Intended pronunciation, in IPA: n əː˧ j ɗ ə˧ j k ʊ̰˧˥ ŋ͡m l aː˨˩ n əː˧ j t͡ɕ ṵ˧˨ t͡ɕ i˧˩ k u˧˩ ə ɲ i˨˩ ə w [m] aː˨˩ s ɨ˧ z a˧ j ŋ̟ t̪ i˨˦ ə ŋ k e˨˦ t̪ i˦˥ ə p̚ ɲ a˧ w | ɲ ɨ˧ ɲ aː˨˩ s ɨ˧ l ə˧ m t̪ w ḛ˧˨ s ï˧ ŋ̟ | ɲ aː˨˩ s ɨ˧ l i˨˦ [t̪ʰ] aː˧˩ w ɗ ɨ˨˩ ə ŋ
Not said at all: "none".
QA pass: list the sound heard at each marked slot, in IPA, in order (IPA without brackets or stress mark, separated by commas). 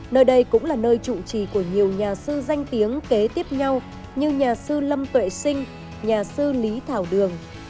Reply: ɲ, t̪ʰ